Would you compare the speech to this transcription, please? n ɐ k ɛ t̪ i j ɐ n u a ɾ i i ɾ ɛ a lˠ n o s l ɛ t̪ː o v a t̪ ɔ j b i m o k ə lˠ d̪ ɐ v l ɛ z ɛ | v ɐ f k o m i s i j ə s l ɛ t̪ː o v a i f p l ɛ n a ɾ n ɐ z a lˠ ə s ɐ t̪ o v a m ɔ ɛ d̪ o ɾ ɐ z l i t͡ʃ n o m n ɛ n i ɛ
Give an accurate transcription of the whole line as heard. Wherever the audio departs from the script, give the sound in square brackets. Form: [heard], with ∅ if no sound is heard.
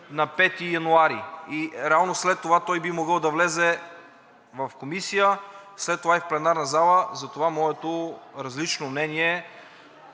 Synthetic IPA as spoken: n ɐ [p] ɛ t̪ i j ɐ n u a ɾ i i ɾ ɛ a lˠ n o s l ɛ t̪ː o v a t̪ ɔ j b i m o [ɡ] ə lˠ d̪ ɐ v l ɛ z ɛ | v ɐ f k o m i s i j ə s l ɛ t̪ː o v a i f p l ɛ n a ɾ n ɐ z a lˠ ə [z] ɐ t̪ o v a m ɔ ɛ [t̪] o ɾ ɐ z l i t͡ʃ n o m n ɛ n i ɛ